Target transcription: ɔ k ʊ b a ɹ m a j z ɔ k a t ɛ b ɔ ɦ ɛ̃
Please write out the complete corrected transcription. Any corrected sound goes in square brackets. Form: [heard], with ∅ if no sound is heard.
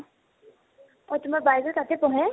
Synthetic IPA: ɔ [t] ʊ [m] a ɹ [b] a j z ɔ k a t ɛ [p] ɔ ɦ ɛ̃